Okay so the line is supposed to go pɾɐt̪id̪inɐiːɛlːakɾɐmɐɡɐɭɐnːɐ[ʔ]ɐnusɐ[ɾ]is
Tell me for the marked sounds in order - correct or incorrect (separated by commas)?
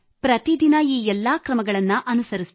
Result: correct, correct